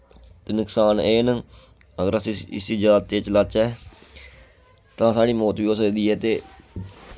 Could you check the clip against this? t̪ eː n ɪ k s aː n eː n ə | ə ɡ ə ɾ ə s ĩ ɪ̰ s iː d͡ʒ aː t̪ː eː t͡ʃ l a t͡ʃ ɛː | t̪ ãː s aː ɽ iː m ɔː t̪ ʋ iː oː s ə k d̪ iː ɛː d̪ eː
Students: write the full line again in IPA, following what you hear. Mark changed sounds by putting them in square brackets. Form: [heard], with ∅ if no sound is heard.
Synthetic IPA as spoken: t̪ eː n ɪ k s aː n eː n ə | ə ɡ ə ɾ ə s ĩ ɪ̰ s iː d͡ʒ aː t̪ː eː t͡ʃ l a t͡ʃ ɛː | t̪ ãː s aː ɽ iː m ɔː t̪ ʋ iː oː s ə k d̪ iː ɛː [t̪] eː